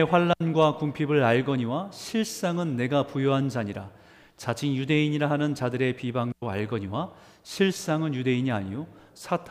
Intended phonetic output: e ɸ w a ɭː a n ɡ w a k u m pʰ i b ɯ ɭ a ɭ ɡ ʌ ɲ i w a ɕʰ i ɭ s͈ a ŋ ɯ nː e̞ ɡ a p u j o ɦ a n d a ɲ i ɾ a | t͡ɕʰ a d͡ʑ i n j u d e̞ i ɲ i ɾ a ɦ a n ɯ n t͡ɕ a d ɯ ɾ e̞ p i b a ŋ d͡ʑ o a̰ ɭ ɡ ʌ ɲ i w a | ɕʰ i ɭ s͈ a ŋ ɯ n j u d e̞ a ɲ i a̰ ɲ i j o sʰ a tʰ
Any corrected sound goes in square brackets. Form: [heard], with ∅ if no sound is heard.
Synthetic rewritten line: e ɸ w a ɭː a n ɡ w a k u m pʰ i b ɯ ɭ a ɭ ɡ ʌ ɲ i w a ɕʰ i ɭ s͈ a ŋ ɯ nː e̞ ɡ a p u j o ɦ a n [d͡ʑ] a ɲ i ɾ a | [t͡ɕ] a d͡ʑ i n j u d e̞ i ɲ i ɾ a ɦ a n ɯ n t͡ɕ a d ɯ ɾ e̞ p i b a ŋ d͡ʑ o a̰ ɭ ɡ ʌ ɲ i w a | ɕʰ i ɭ s͈ a ŋ ɯ n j u d e̞ [i] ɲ i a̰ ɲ i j o sʰ a tʰ